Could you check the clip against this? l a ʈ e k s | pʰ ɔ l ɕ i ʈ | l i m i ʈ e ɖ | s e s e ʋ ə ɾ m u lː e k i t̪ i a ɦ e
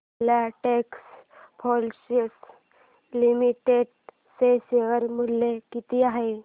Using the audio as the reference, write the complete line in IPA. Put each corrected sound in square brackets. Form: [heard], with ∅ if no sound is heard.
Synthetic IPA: l a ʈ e k s | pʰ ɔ l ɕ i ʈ | l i m i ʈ e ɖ | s e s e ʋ ə ɾ m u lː e k i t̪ i a ɦ e